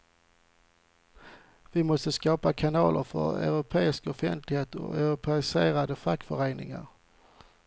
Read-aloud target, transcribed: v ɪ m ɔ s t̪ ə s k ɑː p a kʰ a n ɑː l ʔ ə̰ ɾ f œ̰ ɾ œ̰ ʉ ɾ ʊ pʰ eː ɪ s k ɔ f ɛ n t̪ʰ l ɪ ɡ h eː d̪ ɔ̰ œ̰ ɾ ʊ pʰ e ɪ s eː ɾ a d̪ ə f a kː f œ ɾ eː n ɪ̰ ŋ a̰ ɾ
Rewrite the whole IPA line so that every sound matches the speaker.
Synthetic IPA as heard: v ɪ m ɔ s t̪ ə s k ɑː p a kʰ a n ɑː l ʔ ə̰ ɾ f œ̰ ɾ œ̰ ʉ ɾ ʊ pʰ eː ɪ s k ɔ f ɛ n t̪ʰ l ɪ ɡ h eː t̪ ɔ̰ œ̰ ɾ ʊ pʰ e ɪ s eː ɾ a d̪ ə f a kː f œ ɾ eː n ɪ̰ ŋ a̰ ɾ